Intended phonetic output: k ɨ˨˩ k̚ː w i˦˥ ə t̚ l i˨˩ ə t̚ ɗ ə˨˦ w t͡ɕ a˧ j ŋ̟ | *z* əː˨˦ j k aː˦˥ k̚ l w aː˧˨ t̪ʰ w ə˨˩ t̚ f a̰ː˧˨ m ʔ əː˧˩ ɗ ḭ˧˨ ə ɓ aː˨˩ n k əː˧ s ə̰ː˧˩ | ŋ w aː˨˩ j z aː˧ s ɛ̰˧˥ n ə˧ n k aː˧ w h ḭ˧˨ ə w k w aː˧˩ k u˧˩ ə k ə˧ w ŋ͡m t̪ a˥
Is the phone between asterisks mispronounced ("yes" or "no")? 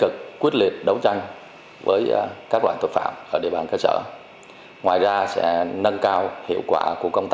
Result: yes